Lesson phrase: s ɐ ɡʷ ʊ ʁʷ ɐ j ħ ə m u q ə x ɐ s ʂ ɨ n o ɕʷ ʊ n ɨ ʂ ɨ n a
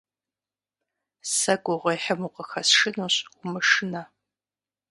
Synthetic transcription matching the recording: s ɐ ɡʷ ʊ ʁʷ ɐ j ħ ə m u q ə x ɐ s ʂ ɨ n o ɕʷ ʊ m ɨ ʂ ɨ n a